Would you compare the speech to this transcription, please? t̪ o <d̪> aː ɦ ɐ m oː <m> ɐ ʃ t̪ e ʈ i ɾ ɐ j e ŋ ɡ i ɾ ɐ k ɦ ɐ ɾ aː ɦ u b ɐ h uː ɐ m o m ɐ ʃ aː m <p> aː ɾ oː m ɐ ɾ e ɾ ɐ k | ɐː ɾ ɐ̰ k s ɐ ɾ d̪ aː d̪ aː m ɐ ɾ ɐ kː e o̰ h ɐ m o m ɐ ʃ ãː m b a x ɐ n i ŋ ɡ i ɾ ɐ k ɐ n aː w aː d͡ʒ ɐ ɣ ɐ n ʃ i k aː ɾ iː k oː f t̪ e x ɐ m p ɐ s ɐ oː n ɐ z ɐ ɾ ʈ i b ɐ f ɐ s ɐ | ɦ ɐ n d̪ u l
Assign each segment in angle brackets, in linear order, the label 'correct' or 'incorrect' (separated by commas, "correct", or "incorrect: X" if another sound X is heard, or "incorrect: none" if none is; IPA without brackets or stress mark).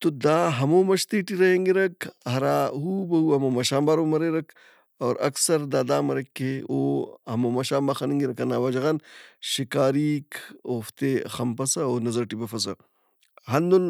correct, correct, incorrect: b